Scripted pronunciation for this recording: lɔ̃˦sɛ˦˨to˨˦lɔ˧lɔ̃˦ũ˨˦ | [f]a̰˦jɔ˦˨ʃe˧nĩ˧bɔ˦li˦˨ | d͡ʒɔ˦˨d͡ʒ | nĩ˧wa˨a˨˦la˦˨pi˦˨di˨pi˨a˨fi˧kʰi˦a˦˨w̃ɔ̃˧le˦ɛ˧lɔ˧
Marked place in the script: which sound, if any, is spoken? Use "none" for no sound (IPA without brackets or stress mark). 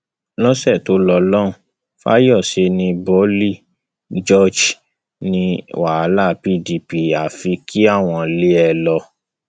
f